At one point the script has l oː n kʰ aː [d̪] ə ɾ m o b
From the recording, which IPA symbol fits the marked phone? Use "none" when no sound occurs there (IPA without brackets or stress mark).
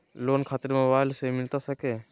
t̪